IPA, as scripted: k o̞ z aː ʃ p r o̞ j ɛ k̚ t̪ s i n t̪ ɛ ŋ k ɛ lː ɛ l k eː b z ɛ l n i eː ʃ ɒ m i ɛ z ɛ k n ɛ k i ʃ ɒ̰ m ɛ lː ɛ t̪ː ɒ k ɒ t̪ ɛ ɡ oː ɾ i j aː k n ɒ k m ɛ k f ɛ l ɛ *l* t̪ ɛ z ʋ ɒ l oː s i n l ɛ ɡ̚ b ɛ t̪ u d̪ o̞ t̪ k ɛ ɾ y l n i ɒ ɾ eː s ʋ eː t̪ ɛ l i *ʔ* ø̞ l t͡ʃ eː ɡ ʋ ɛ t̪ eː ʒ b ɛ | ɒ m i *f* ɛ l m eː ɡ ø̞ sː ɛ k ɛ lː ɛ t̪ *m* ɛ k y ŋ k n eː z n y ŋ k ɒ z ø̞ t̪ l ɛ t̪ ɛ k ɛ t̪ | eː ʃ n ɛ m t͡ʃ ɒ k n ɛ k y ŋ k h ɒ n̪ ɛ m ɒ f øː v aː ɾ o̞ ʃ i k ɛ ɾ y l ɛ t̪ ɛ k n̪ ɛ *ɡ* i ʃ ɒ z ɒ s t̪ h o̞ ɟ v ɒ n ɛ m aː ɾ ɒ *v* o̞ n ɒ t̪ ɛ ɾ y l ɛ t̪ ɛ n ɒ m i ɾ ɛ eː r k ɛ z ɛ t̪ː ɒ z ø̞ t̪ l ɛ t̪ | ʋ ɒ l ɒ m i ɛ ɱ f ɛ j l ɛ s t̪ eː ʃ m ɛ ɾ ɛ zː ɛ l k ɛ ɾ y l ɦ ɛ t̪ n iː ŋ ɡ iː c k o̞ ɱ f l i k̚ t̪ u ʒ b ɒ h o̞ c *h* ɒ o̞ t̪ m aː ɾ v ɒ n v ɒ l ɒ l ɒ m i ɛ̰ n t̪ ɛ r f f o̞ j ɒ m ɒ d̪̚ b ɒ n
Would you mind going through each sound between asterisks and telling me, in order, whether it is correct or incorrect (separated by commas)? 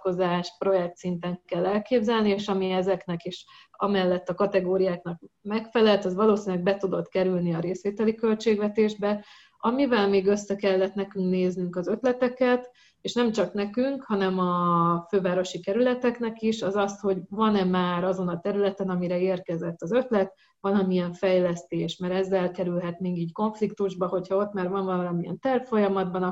correct, incorrect, incorrect, incorrect, incorrect, incorrect, correct